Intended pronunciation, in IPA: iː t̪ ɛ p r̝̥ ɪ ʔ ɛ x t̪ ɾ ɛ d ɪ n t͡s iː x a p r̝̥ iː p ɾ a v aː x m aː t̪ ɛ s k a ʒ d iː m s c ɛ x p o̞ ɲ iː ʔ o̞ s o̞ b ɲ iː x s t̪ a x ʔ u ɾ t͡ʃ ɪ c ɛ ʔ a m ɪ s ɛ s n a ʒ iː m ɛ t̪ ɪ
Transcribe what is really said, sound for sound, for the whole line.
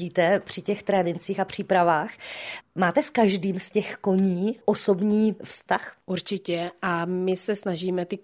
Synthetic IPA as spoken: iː t̪ ɛ p r̝̥ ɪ c ɛ x t̪ ɾ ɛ d ɪ n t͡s iː x a p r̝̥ iː p ɾ a v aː x m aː t̪ ɛ s k a ʒ d iː m s c ɛ x k o̞ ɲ iː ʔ o̞ s o̞ b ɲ iː f s t̪ a x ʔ u ɾ t͡ʃ ɪ c ɛ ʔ a m ɪ s ɛ s n a ʒ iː m ɛ t̪ ɪ